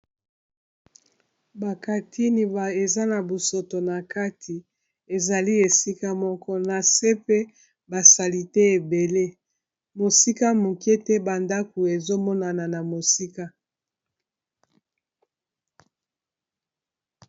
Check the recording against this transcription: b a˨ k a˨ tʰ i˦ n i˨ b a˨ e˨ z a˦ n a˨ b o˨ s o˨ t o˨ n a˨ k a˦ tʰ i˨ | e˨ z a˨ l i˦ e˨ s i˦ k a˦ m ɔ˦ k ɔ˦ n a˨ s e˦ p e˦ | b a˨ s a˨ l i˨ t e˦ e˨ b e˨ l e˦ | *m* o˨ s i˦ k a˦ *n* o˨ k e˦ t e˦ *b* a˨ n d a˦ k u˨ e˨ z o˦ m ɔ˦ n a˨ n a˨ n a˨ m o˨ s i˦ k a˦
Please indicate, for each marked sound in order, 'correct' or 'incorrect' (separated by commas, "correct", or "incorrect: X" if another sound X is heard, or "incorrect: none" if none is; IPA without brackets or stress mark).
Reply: correct, incorrect: m, correct